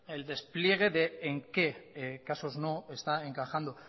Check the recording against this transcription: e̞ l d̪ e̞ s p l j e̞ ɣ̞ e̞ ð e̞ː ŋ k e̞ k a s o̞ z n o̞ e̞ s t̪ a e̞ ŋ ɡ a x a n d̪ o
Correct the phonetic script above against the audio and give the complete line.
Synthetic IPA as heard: e̞ l d̪ e̞ s p l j e̞ ɣ̞ e̞ ð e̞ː ŋ k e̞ k a s o̞ z n o̞ e̞ s t̪ a e̞ ŋ k a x a n d̪ o